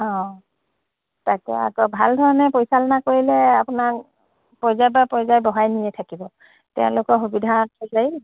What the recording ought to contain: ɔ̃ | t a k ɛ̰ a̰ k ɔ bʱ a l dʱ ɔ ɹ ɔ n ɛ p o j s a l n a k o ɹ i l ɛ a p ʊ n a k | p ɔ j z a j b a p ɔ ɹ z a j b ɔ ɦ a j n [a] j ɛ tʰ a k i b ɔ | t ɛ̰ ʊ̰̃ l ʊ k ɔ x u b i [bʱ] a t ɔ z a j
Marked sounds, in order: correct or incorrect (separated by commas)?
incorrect, incorrect